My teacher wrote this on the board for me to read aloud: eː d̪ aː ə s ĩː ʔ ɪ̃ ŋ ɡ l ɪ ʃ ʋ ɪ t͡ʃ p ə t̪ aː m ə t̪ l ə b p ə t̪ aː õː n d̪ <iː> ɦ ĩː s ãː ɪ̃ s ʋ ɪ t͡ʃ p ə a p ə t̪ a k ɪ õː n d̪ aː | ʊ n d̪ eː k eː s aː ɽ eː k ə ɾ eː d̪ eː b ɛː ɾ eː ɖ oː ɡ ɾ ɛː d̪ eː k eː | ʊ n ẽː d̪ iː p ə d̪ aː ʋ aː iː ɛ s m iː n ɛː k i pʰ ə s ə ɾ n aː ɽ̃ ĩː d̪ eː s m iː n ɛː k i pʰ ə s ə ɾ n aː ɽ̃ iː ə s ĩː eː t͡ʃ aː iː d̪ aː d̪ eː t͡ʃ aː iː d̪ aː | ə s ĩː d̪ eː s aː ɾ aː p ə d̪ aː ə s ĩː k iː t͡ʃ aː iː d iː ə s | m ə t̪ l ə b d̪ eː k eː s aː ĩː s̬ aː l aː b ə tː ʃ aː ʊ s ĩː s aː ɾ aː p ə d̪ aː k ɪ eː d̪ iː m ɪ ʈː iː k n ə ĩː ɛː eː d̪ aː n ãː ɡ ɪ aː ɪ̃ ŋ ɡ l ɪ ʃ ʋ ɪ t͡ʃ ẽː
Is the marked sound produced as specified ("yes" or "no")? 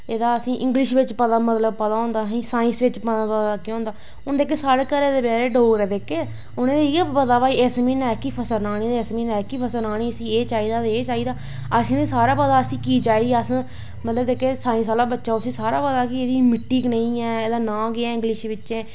no